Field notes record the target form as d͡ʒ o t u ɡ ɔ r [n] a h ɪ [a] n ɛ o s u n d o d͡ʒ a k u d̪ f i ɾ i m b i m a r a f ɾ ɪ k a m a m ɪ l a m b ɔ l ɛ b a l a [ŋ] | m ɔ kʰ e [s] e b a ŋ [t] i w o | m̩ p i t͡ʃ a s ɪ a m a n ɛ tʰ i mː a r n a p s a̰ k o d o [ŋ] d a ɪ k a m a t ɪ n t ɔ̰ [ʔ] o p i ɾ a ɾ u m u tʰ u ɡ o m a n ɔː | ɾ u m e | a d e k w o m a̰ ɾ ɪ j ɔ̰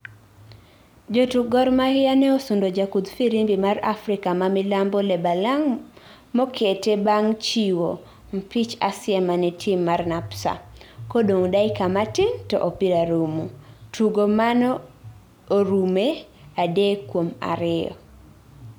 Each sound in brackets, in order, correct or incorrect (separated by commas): incorrect, correct, correct, incorrect, incorrect, correct, correct